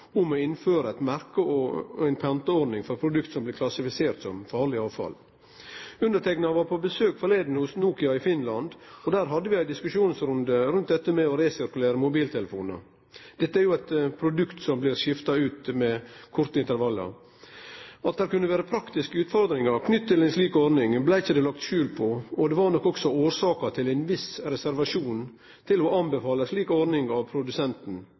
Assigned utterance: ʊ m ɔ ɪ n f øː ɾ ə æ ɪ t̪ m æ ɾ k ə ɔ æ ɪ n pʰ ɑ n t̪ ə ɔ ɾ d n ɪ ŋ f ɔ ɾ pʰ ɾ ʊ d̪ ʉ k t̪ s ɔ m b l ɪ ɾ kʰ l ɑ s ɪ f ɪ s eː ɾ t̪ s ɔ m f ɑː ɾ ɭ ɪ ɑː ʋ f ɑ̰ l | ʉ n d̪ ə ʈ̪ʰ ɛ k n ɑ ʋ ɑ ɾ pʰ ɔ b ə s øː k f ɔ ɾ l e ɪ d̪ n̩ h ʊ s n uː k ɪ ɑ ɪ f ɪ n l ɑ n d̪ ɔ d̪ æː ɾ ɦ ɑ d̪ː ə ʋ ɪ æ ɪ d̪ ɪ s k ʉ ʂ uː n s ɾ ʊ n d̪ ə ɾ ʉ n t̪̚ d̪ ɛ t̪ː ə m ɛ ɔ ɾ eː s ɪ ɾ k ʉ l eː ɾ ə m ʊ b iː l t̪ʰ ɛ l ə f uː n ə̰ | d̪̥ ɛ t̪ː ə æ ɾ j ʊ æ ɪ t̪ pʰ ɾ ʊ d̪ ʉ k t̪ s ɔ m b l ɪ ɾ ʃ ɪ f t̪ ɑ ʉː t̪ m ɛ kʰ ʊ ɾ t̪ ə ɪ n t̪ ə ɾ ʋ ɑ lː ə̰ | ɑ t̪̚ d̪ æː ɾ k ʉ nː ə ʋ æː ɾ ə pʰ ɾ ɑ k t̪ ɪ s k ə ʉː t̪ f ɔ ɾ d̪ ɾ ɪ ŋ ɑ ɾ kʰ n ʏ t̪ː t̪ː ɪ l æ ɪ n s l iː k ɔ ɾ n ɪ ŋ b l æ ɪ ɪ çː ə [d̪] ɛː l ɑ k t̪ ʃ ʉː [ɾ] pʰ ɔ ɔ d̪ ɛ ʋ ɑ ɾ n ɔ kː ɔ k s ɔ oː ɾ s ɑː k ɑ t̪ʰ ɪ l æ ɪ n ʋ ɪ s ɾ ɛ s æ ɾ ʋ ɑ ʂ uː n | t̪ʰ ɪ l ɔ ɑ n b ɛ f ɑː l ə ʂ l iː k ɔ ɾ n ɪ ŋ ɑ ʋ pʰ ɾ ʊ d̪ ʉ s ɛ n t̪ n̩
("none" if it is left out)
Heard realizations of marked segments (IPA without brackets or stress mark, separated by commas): d̪, l